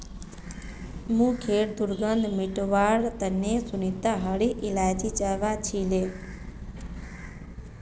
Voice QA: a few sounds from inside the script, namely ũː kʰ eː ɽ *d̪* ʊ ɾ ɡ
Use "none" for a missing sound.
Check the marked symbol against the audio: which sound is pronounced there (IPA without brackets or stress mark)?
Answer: d̪